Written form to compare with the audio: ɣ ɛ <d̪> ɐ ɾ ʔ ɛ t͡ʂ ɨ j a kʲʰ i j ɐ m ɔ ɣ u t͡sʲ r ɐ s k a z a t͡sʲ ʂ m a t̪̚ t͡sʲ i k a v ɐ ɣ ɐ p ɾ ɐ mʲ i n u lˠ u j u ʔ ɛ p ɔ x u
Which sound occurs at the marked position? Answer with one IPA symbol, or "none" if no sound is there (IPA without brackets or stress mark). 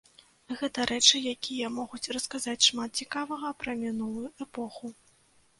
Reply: t̪